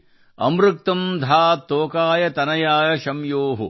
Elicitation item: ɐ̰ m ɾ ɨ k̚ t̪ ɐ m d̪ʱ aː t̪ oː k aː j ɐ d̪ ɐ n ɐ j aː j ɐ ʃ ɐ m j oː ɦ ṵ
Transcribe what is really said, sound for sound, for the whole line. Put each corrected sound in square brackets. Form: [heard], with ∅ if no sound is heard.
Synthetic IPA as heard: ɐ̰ m ɾ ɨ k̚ t̪ ɐ m d̪ʱ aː t̪ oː k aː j ɐ [t̪] ɐ n ɐ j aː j ɐ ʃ ɐ m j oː ɦ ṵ